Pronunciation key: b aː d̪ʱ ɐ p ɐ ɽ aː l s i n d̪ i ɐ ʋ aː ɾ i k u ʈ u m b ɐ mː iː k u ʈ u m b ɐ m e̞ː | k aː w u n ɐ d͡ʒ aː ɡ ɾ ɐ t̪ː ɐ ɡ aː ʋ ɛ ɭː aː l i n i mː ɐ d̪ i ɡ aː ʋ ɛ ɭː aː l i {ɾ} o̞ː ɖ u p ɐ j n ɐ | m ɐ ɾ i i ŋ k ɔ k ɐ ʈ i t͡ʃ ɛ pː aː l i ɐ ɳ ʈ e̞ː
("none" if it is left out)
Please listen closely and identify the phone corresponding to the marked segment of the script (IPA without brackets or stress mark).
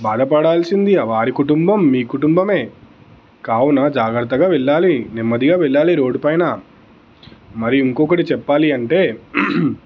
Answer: ɾ